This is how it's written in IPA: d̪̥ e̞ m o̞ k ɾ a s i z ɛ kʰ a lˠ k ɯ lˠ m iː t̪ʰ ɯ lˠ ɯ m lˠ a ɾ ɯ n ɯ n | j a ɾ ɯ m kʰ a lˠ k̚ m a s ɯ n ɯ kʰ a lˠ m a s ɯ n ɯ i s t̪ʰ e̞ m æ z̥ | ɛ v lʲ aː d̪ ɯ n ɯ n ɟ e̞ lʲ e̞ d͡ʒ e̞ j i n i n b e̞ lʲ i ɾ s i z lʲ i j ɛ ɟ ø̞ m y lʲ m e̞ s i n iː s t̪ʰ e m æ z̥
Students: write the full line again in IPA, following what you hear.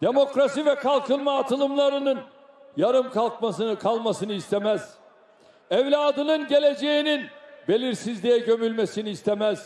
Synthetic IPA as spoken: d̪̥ e̞ m o̞ k ɾ a s i v ɛ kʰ a lˠ k ɯ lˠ m aː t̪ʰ ɯ lˠ ɯ m lˠ a ɾ ɯ n ɯ n | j a ɾ ɯ m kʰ a lˠ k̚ m a s ɯ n ɯ kʰ a lˠ m a s ɯ n ɯ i s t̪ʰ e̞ m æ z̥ | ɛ v lʲ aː d̪ ɯ n ɯ n ɟ e̞ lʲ e̞ d͡ʒ e̞ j i n i n b e̞ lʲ i ɾ s i z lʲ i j ɛ ɟ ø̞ m y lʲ m e̞ s i n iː s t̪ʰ e m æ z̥